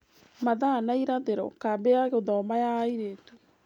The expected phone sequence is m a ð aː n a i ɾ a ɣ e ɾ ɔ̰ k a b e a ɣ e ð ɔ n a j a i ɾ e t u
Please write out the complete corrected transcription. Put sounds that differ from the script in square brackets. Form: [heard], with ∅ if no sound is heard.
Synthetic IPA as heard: m a ð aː n a i ɾ a [ð] e ɾ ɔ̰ k a b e a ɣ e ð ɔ [m] a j a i ɾ e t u